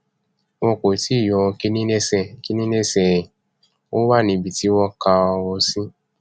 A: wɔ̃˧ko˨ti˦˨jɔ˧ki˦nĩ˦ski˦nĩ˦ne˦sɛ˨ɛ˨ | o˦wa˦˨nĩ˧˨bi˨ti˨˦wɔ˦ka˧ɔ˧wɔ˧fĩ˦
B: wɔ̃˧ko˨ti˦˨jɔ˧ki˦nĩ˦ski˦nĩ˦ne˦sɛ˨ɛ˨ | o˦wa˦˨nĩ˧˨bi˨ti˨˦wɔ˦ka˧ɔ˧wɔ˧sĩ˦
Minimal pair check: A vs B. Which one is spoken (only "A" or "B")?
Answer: B